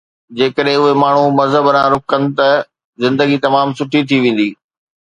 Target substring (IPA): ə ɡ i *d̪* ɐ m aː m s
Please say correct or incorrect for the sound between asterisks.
incorrect